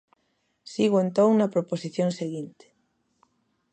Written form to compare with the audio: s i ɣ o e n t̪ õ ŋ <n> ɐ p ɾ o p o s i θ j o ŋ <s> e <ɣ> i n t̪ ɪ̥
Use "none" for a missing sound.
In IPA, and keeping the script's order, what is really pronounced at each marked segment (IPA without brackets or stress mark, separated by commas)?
n, s, ɣ